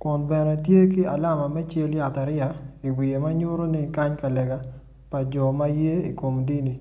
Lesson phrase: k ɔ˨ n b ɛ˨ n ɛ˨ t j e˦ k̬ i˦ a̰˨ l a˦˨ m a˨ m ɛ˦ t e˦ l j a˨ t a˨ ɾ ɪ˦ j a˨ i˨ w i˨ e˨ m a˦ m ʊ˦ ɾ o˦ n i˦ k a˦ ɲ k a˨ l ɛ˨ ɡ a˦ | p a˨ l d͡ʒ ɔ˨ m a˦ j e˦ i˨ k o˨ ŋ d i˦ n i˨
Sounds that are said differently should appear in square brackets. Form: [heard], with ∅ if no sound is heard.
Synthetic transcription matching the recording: k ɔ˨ n b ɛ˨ n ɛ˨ t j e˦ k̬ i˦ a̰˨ l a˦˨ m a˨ m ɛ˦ [t͡ʃ] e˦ l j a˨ t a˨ ɾ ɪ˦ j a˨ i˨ w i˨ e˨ m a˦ [ɲ] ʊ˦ ɾ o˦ n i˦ k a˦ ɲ k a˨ l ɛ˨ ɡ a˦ | p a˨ [∅] d͡ʒ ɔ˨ m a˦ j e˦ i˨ k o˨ [m] d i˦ n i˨

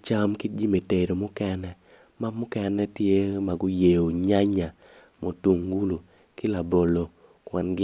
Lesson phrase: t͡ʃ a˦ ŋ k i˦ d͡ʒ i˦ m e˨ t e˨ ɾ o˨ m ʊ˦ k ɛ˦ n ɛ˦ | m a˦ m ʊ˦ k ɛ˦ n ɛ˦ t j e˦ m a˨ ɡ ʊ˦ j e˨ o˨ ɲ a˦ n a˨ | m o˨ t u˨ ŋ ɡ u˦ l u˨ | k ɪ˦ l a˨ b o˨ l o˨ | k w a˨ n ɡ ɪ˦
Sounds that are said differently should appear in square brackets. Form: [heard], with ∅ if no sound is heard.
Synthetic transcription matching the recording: t͡ʃ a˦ [m] k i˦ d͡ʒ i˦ m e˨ t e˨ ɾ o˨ m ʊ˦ k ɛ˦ n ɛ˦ | m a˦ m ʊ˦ k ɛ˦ n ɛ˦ t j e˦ m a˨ ɡ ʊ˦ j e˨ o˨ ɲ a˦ [ɲ] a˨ | m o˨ t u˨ ŋ ɡ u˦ l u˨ | k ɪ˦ l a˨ b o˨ l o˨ | k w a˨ n ɡ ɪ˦

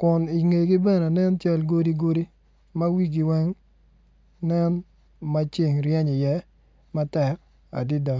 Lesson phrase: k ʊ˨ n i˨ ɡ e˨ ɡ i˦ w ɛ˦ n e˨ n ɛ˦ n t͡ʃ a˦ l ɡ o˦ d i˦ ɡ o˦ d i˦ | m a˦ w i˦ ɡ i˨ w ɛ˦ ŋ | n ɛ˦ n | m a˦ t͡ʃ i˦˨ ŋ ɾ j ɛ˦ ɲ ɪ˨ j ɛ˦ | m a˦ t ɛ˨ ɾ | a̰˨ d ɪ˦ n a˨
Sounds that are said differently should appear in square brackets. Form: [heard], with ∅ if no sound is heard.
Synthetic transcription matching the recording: k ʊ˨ n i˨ [ŋ] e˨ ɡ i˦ [b] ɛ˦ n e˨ n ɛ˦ n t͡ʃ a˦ l ɡ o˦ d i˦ ɡ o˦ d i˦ | m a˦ w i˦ ɡ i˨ w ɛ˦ ŋ | n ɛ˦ n | m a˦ t͡ʃ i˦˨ ŋ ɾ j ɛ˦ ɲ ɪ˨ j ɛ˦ | m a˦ t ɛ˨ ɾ | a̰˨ d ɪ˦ [d] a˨

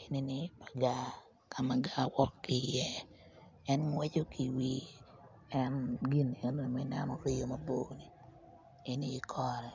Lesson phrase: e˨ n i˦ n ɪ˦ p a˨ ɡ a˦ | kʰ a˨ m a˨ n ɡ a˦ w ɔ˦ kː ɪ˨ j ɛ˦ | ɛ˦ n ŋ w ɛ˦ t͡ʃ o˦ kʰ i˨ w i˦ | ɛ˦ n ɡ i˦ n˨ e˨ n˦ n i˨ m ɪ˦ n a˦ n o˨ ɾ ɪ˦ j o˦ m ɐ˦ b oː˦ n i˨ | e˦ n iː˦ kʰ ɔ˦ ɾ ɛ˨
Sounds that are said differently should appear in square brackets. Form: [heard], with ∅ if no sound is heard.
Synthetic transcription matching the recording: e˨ n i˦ n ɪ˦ p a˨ ɡ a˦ | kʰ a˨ m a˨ [∅] ɡ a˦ w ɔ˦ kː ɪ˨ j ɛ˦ | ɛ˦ n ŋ w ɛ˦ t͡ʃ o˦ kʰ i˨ w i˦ | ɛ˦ n ɡ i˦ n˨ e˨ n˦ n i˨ m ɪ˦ n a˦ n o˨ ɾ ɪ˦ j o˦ m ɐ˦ b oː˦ n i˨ | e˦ n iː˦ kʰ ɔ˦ ɾ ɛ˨

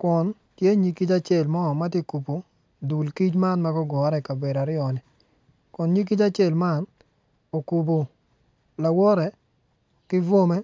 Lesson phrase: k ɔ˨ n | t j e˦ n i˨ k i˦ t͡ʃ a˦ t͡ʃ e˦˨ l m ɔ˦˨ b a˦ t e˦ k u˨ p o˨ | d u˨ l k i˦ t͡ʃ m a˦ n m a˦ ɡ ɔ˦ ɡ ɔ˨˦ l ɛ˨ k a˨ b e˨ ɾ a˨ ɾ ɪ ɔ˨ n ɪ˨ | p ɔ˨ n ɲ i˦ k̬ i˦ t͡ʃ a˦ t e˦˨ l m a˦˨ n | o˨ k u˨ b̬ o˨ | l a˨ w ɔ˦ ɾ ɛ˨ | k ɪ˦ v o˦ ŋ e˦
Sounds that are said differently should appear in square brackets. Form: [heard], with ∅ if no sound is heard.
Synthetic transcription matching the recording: k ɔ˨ n | t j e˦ [ɲ] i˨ k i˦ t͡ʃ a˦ t͡ʃ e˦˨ l m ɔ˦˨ [m] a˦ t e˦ k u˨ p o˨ | d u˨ l k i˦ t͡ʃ m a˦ n m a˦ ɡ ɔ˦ ɡ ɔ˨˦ [ɾ] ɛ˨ k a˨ b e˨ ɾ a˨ ɾ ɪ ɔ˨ n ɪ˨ | [k] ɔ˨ n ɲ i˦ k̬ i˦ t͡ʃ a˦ [t͡ʃ] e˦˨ l m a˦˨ n | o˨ k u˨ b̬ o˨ | l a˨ w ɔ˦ ɾ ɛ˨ | k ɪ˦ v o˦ [m] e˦

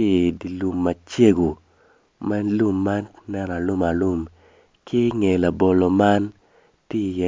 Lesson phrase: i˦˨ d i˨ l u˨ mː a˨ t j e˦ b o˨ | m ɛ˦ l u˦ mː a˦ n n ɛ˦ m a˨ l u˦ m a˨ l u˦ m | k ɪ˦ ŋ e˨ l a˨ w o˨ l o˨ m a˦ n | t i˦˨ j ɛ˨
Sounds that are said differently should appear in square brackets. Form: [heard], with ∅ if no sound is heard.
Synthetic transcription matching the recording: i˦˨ d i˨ l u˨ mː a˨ [t͡ʃ] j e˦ [ɡ] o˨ | m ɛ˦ l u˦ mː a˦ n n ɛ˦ [n] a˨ l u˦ m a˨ l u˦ m | k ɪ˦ ŋ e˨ l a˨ [b] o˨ l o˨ m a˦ n | t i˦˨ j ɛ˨

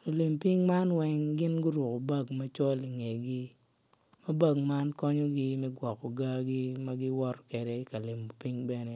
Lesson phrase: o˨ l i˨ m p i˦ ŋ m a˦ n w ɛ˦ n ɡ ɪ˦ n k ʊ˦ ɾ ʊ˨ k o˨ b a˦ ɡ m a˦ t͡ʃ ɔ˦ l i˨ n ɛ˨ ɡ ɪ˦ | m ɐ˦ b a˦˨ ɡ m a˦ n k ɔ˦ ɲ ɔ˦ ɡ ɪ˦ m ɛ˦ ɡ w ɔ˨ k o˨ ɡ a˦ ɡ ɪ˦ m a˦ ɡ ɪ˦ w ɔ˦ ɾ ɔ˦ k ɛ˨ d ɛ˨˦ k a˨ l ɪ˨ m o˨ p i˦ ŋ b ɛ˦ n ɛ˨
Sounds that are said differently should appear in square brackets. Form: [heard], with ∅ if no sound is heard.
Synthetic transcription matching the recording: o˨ l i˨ m p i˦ ŋ m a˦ n w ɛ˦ [ŋ] ɡ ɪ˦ n [ɡ] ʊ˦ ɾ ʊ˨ k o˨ b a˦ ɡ m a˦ t͡ʃ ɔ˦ l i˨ [ŋ] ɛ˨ ɡ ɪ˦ | m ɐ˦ b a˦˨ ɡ m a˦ n k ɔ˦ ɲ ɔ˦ ɡ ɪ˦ m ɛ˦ ɡ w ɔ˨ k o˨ ɡ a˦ ɡ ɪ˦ m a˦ ɡ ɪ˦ w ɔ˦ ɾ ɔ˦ k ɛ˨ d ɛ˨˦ k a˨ l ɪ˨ m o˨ p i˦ ŋ b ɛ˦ n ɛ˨

